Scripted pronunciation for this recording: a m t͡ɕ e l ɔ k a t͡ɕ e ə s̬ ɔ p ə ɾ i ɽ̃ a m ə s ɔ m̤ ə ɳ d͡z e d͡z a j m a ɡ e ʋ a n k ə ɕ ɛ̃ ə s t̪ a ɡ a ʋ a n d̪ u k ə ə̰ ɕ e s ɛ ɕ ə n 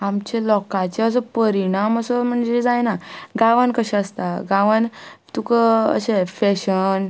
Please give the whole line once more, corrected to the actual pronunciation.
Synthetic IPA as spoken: a m t͡ɕ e l ɔ k a t͡ɕ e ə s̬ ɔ p ə ɾ i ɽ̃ a m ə s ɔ m̤ ə ɳ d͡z e d͡z a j n a ɡ a ʋ a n k ə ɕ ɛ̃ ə s t̪ a ɡ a ʋ a n t̪ u k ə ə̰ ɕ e f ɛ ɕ ə n